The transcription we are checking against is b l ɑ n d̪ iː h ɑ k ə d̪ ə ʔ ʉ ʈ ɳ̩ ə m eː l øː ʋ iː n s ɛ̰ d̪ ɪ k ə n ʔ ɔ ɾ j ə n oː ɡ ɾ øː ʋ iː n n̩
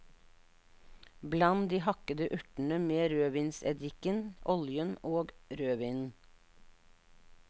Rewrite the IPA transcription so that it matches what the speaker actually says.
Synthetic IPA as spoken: b l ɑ n d̪ iː h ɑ k ə d̪ ə ʔ ʉ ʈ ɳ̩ ə m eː ɾ øː ʋ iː n s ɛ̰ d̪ ɪ k ə n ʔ ɔ l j ə n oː ɡ ɾ øː ʋ iː n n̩